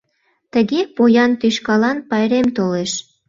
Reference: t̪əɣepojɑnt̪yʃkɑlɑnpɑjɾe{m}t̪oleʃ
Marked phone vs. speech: correct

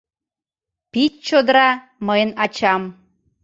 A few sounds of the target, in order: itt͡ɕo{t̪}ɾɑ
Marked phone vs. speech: incorrect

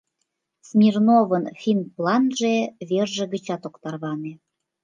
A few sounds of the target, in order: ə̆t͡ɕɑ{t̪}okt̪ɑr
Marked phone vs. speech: correct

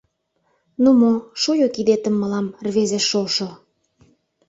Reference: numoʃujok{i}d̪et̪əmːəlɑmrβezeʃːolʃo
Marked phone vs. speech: correct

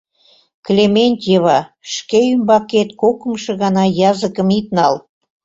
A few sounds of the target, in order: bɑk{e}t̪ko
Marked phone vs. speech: correct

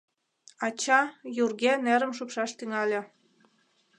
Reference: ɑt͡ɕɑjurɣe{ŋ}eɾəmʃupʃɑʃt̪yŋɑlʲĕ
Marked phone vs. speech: incorrect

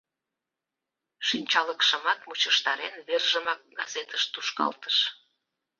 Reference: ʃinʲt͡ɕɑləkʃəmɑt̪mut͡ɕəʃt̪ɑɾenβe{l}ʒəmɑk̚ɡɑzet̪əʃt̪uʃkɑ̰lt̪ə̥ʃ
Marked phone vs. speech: incorrect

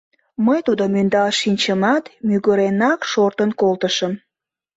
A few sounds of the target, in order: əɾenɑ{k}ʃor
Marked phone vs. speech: correct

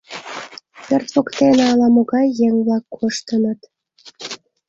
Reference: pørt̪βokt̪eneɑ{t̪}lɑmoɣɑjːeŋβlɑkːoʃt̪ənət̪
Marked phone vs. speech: incorrect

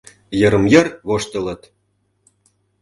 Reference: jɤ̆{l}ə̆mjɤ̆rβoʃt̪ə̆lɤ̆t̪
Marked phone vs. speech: incorrect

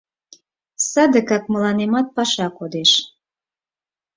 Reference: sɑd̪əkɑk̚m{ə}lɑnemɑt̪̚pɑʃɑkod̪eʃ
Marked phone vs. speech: correct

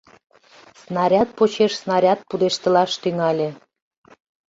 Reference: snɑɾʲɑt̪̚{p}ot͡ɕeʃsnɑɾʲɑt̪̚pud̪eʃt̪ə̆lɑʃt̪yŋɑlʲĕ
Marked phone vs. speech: correct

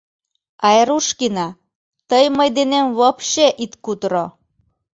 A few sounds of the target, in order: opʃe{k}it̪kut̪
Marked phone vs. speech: incorrect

